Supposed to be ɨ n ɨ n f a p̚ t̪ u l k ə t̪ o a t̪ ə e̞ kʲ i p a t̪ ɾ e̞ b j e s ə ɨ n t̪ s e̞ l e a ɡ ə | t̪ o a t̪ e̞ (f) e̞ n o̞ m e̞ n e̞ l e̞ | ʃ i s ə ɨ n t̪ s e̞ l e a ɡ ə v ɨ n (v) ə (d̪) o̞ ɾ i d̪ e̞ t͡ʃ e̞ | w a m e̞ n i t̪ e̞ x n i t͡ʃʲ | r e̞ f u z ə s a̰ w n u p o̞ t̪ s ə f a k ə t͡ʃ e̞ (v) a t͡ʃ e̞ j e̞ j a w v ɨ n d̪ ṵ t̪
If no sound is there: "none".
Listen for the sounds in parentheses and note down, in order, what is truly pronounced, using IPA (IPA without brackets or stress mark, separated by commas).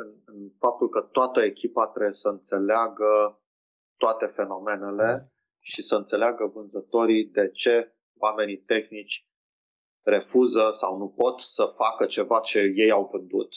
f, z, t̪, v